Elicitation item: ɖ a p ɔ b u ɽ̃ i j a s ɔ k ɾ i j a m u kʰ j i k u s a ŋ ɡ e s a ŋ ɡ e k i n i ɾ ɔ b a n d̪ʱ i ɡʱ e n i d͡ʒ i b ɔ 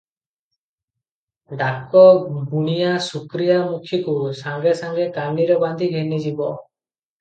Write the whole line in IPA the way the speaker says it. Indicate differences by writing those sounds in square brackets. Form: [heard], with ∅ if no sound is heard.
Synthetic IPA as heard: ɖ a [k] ɔ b u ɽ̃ i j a s [u] k ɾ i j a m u kʰ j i k u s a ŋ ɡ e s a ŋ ɡ e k [a] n i ɾ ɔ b a n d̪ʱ i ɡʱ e n i d͡ʒ i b ɔ